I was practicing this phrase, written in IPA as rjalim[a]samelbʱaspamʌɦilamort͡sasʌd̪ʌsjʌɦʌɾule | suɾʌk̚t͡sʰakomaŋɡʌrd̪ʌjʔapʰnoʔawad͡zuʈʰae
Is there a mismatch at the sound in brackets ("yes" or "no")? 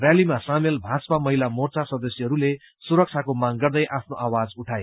no